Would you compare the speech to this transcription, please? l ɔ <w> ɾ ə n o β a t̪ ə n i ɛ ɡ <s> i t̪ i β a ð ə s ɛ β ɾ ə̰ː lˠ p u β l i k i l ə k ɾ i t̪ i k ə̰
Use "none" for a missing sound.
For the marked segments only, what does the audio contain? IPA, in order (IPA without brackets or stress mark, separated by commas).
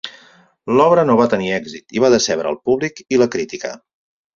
β, z